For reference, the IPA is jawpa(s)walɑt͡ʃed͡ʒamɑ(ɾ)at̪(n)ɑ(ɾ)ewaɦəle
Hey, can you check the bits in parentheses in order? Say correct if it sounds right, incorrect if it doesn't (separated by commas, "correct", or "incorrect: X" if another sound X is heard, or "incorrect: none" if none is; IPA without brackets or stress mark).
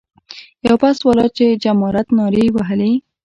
correct, correct, correct, correct